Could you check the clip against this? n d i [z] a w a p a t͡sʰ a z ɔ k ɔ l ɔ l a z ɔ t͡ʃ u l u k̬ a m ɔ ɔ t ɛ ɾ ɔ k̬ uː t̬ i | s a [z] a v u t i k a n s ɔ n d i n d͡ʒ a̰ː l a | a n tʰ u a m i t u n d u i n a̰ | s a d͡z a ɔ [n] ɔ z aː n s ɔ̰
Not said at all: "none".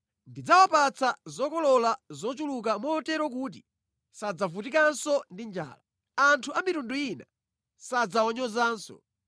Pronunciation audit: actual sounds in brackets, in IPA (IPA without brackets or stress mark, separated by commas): d͡z, d͡z, ɲ